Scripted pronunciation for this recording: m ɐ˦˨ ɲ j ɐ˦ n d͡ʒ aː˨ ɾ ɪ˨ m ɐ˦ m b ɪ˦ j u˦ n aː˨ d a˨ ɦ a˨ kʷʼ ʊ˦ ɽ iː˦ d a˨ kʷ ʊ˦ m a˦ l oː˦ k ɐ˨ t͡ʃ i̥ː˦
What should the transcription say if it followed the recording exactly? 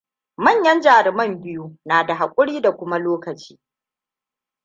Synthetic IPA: m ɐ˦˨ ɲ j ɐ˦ n d͡ʒ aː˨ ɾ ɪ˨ m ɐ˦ m b ɪ˦ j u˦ n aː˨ d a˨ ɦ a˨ kʷʼ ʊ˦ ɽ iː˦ d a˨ kʷ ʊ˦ m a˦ l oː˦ k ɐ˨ t͡ʃ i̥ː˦